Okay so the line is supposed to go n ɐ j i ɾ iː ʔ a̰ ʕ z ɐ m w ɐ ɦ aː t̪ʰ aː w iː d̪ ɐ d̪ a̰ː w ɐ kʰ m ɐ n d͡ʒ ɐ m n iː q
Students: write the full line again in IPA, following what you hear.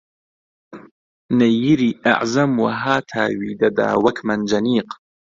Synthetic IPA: n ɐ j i ɾ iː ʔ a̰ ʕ z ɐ m w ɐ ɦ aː t̪ʰ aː w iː d̪ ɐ d̪ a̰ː w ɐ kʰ m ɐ n d͡ʒ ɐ n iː q